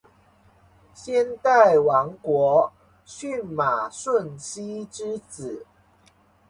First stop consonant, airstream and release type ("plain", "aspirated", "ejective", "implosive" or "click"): plain